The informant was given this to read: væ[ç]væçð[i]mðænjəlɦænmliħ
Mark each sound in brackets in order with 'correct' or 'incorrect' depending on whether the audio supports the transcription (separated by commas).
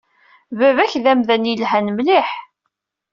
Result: incorrect, incorrect